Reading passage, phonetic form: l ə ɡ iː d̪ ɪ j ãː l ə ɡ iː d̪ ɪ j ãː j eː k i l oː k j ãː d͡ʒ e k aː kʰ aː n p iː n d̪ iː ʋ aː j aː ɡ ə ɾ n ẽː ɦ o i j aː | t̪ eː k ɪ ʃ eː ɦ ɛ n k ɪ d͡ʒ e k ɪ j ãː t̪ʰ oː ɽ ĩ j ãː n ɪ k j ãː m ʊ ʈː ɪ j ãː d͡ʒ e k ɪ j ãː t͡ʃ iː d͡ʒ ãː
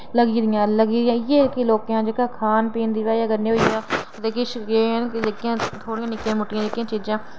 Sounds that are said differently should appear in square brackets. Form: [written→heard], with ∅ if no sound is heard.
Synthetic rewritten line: l ə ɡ iː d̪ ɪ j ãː l ə ɡ iː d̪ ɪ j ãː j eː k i l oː k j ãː d͡ʒ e k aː kʰ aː n p iː n d̪ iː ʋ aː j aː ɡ ə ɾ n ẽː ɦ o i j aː | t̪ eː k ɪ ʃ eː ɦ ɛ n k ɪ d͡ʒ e k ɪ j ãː t̪ʰ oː ɽ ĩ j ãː n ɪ k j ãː m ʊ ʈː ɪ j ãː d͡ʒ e k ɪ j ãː t͡ʃ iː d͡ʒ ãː